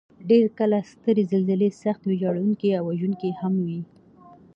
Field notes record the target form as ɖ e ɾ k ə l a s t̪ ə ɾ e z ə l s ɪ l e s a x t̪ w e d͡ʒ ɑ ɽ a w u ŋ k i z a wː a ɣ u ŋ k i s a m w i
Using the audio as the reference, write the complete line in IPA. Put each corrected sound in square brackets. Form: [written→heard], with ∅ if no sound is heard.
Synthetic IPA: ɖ e ɾ k ə l a s t̪ ə ɾ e z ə l [s→z] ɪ l e s a x t̪ w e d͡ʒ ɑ ɽ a w u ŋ k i [z→∅] a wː a [ɣ→ʒ] u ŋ k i [s→h] a m w i